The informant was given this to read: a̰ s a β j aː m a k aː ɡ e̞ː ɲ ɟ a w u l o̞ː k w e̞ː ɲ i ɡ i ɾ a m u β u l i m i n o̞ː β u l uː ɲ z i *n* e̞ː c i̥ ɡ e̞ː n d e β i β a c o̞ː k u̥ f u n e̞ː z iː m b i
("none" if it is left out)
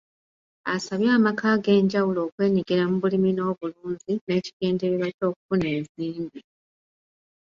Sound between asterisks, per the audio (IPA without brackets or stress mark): n